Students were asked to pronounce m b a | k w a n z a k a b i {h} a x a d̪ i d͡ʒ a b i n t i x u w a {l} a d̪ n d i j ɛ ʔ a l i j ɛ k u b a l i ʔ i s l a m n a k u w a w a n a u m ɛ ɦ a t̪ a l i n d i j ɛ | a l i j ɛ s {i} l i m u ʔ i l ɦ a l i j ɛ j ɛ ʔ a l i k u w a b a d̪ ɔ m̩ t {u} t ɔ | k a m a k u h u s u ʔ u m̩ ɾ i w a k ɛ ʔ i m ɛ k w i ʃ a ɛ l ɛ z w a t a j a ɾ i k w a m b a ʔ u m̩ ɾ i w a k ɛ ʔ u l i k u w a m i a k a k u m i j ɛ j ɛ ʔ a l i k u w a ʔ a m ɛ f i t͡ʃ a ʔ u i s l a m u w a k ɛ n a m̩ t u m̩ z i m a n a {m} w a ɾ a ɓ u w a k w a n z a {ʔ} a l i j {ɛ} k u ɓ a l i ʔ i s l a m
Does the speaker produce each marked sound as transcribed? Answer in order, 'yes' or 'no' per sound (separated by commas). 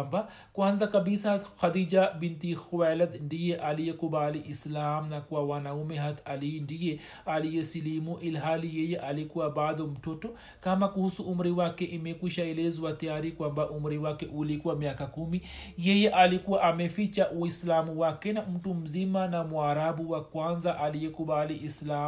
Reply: no, yes, yes, no, yes, yes, yes